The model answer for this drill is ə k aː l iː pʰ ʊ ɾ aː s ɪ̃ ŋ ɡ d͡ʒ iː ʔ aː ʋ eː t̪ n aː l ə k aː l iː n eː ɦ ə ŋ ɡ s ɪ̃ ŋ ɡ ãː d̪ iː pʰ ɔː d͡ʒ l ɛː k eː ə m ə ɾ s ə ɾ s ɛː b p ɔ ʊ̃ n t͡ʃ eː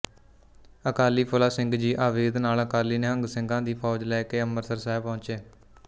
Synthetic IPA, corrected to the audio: ə k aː l iː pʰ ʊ l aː s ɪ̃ ŋ ɡ d͡ʒ iː ʔ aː ʋ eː d̪ n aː l ə k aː l iː n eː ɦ ə ŋ ɡ s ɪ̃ ŋ ɡ ãː d̪ iː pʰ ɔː d͡ʒ l ɛː k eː ə m ə ɾ s ə ɾ s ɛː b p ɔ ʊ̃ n t͡ʃ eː